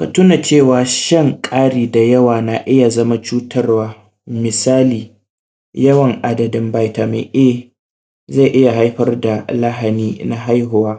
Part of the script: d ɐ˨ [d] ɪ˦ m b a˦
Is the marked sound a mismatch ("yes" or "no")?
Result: no